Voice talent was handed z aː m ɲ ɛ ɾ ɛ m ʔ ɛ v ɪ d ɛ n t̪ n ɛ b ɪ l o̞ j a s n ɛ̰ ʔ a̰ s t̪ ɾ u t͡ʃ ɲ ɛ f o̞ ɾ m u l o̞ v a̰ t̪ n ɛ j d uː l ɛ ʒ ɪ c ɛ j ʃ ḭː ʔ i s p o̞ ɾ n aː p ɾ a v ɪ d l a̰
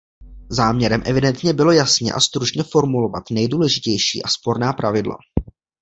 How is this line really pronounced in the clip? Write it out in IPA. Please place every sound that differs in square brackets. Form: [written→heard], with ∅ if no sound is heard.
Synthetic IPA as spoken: z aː m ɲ ɛ ɾ ɛ m ʔ ɛ v ɪ d ɛ n t̪ [n→ɲ] ɛ b ɪ l o̞ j a s [n→ɲ] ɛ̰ ʔ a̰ s t̪ ɾ u t͡ʃ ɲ ɛ f o̞ ɾ m u l o̞ v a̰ t̪ n ɛ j d uː l ɛ ʒ ɪ c ɛ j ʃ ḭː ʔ [i→a] s p o̞ ɾ n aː p ɾ a v ɪ d l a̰